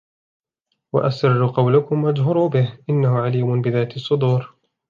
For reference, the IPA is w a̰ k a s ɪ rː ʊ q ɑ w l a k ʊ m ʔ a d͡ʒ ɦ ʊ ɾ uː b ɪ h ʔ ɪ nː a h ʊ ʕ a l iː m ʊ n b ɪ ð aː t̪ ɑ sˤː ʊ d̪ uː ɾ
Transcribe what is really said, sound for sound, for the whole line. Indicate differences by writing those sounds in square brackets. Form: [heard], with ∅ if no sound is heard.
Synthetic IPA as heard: w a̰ [ʔ] a s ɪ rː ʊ q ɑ w l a k ʊ m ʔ a d͡ʒ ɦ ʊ ɾ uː b ɪ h ʔ ɪ nː a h ʊ ʕ a l iː m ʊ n b ɪ ð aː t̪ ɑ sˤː ʊ d̪ uː ɾ

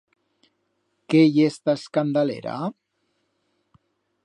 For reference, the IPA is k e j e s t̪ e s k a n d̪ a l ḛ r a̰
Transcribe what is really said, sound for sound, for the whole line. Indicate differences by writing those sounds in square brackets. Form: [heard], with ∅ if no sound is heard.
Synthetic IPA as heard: k e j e s t̪ [a] s k a n d̪ a l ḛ [ɾ] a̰

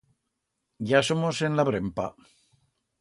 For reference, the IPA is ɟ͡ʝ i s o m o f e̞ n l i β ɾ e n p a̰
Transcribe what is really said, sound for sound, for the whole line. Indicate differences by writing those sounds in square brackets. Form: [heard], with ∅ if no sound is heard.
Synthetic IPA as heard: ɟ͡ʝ [a] s o m o [s] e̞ n l [a] β ɾ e [m] p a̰

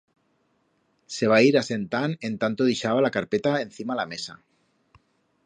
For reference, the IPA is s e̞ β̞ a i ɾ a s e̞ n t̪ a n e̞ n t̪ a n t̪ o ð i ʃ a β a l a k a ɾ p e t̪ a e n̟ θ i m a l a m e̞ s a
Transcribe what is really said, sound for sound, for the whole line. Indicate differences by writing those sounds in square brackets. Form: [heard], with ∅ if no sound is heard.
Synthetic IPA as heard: s e̞ β̞ a i ɾ a s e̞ n t̪ a n e̞ n t̪ a n t̪ o ð i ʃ a β a l a k a ɾ p e t̪ a e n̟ θ i m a l a m e̞ s a

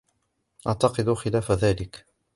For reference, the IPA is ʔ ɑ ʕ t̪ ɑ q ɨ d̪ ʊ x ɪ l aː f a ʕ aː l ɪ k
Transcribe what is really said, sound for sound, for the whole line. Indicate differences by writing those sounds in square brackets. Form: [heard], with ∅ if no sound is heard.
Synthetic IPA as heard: ʔ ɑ ʕ t̪ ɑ q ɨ d̪ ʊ x ɪ l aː f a [ð] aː l ɪ k

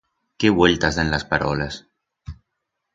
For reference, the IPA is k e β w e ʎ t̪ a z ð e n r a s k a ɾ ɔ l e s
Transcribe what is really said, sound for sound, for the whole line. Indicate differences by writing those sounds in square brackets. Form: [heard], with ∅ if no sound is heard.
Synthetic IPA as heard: k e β w e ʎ t̪ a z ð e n [l] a s [p] a ɾ ɔ l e s

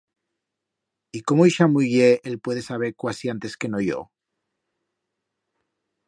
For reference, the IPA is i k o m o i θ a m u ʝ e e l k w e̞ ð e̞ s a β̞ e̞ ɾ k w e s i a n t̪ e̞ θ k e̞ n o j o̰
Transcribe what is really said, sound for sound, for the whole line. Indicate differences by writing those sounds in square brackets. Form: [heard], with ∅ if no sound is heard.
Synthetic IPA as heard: i k o m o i [ʃ] a m u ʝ e e l [p] w e̞ ð e̞ s a β̞ e̞ ɾ k w [a] s i a n t̪ e̞ [s] k e̞ n o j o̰

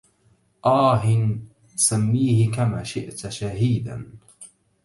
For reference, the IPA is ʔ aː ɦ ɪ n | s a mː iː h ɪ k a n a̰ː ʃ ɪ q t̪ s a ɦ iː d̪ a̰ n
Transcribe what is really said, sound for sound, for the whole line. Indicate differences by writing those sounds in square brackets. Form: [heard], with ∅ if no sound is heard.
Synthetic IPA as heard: ʔ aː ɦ ɪ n | s a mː iː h ɪ k a [m] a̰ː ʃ ɪ [ʔ] t̪ [ʃ] a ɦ iː d̪ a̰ n

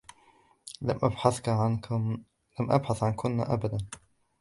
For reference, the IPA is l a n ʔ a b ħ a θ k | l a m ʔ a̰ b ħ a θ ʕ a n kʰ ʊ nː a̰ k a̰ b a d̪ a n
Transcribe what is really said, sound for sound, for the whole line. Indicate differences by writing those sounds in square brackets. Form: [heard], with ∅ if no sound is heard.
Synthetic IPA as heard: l a [m] ʔ a b ħ a θ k | l a m ʔ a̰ b ħ a θ ʕ a n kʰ ʊ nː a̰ [ʔ] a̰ b a d̪ a n

